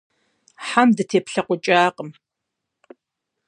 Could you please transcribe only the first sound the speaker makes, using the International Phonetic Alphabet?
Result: ħ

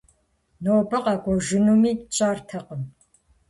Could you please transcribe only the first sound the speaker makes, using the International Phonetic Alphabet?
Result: n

